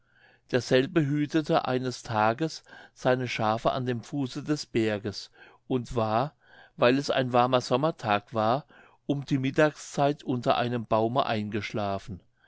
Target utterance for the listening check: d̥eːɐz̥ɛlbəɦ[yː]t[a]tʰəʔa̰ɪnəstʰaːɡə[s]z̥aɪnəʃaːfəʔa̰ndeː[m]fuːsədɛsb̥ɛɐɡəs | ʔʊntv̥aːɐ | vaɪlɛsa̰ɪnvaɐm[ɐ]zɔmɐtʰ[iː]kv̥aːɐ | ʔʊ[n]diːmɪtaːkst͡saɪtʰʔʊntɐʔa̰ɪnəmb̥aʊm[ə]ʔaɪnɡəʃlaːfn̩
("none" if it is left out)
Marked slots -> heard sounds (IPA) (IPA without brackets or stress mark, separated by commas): yː, ə, s, m, ɐ, aː, m, ə